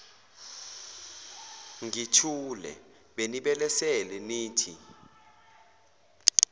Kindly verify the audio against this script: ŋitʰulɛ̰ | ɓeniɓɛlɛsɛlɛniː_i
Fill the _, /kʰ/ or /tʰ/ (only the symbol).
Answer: tʰ